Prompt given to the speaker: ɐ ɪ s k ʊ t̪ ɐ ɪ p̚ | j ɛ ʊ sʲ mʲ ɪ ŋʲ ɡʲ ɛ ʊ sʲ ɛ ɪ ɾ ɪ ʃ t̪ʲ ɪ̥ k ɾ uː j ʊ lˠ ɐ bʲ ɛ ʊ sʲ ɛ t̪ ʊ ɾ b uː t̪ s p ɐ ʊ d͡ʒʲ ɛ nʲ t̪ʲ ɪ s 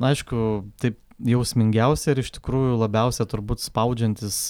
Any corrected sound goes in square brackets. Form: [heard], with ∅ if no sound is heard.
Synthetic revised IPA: ɐ ɪ [ʃ] k ʊ t̪ ɐ ɪ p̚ | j ɛ ʊ sʲ mʲ ɪ ŋʲ ɡʲ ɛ ʊ sʲ ɛ ɪ ɾ ɪ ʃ t̪ʲ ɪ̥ k ɾ uː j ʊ lˠ ɐ bʲ ɛ ʊ sʲ ɛ t̪ ʊ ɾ b uː t̪ s p ɐ ʊ d͡ʒʲ ɛ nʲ t̪ʲ ɪ s